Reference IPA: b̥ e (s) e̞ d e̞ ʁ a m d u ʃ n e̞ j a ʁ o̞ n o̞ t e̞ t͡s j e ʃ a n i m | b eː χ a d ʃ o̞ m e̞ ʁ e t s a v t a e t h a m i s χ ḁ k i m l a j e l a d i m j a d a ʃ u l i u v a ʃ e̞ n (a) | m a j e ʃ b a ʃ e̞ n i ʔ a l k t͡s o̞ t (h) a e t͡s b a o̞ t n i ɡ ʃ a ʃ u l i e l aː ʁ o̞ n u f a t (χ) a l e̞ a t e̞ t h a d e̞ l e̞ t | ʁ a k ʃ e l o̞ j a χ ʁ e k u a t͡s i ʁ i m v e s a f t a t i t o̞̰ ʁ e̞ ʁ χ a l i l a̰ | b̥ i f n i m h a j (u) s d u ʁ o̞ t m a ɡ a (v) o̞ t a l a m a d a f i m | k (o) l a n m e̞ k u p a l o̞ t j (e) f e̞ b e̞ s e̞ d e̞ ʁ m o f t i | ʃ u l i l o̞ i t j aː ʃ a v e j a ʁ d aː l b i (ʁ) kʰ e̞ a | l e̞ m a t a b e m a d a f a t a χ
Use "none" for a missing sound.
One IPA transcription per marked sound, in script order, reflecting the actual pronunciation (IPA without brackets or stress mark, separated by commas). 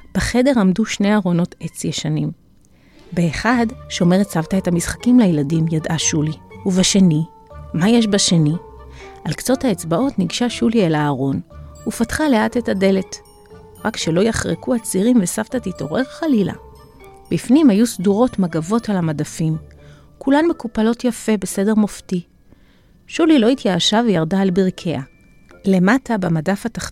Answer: χ, i, h, χ, u, v, u, a, ʁ